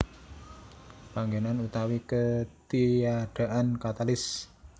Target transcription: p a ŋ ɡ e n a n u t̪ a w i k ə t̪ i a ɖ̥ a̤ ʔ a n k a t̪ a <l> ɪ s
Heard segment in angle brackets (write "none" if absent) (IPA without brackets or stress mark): l